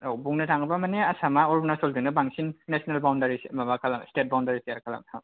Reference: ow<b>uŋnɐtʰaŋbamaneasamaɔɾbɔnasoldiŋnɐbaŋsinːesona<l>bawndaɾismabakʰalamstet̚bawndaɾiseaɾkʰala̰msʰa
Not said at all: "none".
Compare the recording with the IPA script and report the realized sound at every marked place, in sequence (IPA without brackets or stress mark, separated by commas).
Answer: b, l